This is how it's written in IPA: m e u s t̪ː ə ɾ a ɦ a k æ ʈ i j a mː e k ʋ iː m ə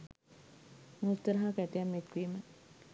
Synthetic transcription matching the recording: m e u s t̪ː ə ɾ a ɦ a k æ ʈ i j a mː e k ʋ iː m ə